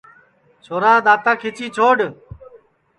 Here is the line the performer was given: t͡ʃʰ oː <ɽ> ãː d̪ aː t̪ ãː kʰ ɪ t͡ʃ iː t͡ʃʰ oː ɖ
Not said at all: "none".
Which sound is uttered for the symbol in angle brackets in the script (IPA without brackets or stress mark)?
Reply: ɾ